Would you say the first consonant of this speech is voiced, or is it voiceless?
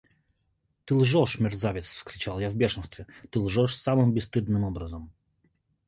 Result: voiceless